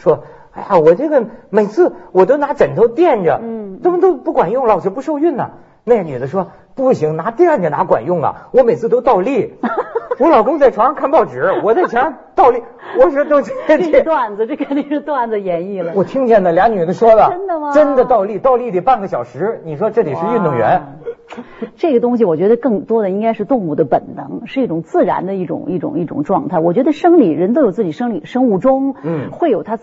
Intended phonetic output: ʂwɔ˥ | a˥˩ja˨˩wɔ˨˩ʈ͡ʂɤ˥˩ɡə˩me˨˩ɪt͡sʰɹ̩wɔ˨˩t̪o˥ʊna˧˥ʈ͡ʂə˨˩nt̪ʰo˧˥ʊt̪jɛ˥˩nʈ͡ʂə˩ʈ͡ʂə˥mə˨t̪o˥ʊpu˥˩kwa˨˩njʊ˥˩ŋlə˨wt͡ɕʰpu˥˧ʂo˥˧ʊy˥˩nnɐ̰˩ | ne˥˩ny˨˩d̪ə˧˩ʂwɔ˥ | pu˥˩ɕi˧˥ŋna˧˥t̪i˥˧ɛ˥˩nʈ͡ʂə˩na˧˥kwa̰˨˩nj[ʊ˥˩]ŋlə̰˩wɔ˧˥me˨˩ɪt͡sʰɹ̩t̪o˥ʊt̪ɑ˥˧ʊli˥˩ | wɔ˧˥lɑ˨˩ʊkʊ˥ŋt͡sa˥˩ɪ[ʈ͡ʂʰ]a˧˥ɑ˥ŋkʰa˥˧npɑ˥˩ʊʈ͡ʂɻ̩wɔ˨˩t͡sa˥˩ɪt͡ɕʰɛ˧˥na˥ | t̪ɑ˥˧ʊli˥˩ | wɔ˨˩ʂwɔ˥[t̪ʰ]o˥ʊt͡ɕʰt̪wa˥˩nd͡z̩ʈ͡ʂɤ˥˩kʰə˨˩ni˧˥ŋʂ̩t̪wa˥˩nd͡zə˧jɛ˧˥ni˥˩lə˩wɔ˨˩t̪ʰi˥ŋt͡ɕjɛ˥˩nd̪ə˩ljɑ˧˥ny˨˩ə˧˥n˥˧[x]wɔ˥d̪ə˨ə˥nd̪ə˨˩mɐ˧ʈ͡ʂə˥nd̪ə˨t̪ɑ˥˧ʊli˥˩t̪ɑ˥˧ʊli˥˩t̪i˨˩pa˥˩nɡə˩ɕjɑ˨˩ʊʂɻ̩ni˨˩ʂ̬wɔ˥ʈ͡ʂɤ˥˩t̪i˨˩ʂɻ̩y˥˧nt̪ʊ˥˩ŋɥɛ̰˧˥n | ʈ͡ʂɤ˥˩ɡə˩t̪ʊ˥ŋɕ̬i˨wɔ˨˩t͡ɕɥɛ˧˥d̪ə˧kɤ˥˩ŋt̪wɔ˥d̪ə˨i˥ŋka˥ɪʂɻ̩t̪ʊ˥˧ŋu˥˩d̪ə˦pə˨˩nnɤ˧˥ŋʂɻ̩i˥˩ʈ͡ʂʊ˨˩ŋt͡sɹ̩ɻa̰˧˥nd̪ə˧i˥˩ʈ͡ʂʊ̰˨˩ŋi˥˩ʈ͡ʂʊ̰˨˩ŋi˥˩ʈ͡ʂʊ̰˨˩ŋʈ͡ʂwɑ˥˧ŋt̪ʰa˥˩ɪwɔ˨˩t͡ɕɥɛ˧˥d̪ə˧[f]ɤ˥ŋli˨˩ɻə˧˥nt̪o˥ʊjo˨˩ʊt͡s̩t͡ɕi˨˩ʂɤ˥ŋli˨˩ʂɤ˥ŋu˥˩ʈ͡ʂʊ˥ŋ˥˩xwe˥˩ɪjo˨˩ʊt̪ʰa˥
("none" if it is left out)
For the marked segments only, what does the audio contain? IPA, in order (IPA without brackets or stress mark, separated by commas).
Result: ʊ˥˩, ʈ͡ʂʰ, t̪, ʂ, ʂ